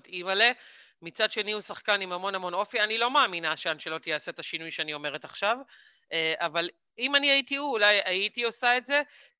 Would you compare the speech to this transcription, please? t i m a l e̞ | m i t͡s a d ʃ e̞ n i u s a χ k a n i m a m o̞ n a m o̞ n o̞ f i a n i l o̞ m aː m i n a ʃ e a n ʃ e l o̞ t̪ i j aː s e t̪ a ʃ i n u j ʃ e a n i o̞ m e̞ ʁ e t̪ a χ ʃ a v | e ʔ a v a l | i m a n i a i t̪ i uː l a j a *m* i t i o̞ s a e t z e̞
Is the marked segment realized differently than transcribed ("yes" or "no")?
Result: yes